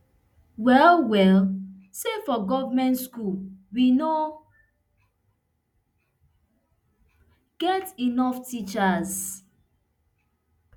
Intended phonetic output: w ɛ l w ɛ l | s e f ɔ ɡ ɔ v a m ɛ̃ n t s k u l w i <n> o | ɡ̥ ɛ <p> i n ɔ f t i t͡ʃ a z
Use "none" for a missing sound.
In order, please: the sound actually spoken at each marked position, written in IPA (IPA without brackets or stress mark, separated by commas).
n, t